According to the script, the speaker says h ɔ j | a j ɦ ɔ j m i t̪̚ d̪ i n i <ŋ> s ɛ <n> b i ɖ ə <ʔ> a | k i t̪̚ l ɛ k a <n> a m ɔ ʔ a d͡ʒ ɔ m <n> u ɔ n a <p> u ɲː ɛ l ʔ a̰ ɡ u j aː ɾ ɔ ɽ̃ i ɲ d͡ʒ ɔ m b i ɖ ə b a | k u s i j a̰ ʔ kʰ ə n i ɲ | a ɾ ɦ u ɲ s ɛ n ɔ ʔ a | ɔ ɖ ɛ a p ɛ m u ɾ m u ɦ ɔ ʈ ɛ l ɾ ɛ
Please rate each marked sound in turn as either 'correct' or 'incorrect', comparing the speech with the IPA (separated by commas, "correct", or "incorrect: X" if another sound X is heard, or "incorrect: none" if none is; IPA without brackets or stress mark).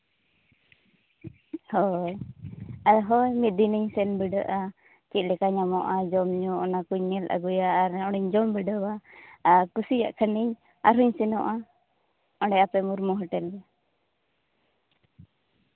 incorrect: ɲ, correct, correct, incorrect: ɲ, incorrect: ɲ, incorrect: k